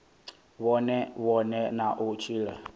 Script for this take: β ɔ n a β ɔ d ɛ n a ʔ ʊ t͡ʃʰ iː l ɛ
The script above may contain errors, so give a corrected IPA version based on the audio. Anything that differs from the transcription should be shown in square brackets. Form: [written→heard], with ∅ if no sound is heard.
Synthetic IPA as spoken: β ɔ n [a→ɛ] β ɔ [d→n] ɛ n a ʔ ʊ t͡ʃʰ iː l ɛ